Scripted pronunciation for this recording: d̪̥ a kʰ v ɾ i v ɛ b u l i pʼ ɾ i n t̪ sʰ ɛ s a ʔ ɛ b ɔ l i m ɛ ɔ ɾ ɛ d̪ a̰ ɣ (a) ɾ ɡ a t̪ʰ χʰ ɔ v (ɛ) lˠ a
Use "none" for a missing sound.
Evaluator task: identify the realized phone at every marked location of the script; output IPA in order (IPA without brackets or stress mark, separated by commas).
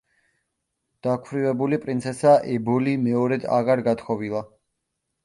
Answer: a, i